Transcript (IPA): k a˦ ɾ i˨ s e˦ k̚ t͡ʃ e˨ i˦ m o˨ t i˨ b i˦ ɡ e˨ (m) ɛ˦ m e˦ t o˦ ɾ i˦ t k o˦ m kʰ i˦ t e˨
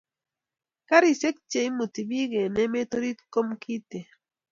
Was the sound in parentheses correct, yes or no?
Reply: no